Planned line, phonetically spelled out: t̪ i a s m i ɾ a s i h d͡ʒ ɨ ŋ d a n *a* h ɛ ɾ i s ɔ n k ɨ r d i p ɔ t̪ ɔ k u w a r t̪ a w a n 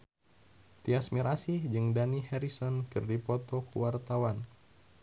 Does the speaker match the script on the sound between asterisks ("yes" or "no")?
no